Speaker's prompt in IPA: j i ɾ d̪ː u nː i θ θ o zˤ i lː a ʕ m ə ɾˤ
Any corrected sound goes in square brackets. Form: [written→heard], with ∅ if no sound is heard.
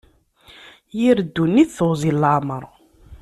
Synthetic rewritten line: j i ɾ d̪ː u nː i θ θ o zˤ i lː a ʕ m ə ɾˤ